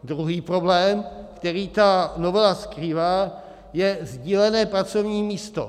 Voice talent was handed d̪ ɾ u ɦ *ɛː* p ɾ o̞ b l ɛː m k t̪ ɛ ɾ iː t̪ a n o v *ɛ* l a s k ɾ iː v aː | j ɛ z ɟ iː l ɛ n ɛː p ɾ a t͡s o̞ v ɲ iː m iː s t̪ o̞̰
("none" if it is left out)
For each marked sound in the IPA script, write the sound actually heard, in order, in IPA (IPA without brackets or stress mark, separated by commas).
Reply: iː, ɛ